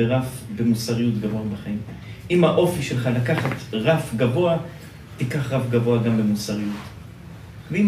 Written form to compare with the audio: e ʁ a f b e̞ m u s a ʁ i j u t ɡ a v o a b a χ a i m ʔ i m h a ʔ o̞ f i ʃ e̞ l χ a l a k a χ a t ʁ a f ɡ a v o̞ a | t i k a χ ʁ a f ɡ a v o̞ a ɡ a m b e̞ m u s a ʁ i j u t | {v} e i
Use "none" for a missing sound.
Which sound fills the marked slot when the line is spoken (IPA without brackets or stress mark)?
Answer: v